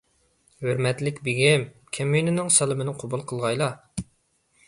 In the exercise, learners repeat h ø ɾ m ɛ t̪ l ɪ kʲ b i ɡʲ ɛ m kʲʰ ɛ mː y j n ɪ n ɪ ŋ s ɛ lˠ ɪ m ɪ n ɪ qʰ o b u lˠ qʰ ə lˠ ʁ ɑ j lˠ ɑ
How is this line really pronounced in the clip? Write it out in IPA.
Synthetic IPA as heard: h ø ɾ m ɛ t̪ l ɪ kʲ b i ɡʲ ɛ m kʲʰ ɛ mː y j n ɪ n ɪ ŋ s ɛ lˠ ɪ m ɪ n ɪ qʰ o b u lˠ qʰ ə lˠ ʁ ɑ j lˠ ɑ